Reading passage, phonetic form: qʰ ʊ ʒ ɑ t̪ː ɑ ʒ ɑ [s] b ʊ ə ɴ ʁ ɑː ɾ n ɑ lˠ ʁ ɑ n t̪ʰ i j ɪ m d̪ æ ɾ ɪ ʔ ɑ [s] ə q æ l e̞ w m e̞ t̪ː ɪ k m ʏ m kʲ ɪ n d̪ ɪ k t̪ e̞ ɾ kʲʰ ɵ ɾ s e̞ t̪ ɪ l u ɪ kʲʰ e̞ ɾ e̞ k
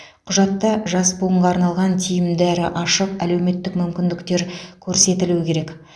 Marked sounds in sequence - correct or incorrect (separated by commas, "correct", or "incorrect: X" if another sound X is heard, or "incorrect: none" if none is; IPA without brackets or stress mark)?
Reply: correct, incorrect: ʃ